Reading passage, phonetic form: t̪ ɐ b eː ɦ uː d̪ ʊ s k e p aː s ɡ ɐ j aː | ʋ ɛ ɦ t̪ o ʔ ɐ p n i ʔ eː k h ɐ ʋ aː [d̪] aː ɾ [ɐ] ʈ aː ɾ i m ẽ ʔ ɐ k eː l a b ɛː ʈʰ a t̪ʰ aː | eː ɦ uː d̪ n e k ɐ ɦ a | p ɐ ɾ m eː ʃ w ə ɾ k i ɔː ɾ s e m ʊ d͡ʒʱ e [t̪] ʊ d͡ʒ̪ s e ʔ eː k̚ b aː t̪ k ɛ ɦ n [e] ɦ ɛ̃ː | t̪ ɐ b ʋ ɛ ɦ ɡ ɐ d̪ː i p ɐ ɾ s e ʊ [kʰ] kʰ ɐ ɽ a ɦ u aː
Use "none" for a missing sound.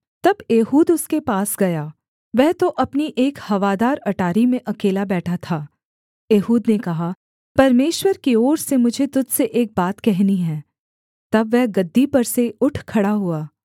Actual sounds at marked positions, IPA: d̪, ɐ, t̪, i, ʈʰ

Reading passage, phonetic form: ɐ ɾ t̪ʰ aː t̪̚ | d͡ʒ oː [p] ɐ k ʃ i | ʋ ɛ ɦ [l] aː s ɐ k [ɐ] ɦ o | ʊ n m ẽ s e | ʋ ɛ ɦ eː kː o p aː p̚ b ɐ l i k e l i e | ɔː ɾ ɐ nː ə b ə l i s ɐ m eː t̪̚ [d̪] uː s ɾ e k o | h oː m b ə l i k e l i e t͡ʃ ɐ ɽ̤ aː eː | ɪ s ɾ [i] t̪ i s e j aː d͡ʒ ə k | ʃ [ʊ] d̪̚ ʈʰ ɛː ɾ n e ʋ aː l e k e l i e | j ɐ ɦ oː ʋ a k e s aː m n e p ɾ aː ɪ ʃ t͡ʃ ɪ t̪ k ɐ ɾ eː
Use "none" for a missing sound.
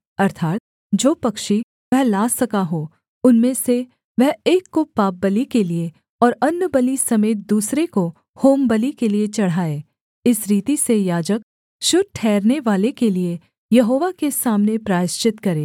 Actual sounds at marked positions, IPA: p, l, a, d̪, iː, ʊ

